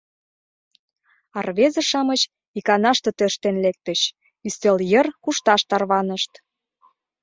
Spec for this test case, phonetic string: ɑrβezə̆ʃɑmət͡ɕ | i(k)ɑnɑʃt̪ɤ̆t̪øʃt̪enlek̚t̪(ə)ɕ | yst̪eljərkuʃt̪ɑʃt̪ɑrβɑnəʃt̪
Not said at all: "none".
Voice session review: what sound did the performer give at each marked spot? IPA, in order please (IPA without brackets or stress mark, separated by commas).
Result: k, ə